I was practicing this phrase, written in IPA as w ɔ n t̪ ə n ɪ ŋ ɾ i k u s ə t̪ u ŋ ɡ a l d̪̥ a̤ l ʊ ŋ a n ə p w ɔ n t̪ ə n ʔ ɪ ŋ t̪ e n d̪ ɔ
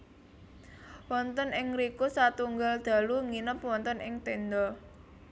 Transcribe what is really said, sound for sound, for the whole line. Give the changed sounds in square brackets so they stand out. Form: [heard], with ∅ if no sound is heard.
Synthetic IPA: w ɔ n t̪ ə n ɪ ŋ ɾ i k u s [a] t̪ u ŋ ɡ a l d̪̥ a̤ l [u] ŋ [i] n ə p w ɔ n t̪ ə n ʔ ɪ ŋ t̪ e n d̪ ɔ

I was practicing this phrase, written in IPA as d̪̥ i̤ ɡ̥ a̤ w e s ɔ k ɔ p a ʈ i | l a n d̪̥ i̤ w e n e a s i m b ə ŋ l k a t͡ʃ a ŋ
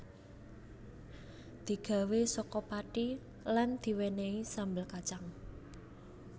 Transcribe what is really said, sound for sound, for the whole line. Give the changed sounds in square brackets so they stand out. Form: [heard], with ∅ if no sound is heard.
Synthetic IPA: d̪̥ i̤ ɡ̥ a̤ w e s ɔ k ɔ p a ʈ i | l a n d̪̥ i̤ w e n e [i] s [a] m b ə [∅] l k a t͡ʃ a ŋ

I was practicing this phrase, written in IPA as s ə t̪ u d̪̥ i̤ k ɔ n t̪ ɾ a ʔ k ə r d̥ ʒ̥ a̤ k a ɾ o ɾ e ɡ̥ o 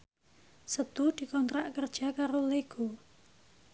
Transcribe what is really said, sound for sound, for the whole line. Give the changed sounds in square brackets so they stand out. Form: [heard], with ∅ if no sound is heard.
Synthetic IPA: s ə t̪ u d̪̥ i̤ k ɔ n t̪ ɾ a ʔ k ə r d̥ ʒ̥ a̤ k a ɾ o [l] e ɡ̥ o

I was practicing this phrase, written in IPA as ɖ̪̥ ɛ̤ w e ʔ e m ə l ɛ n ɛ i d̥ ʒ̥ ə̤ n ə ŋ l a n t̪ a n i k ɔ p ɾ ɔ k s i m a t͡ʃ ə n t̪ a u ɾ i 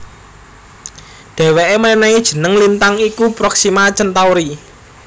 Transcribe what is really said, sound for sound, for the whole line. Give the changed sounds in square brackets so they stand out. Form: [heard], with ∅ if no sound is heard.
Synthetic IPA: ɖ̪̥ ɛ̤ w e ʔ e m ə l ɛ n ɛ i d̥ ʒ̥ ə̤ n ə ŋ l [i] n t̪ a [ŋ] i k [u] p ɾ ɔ k s i m a t͡ʃ ə n t̪ a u ɾ i

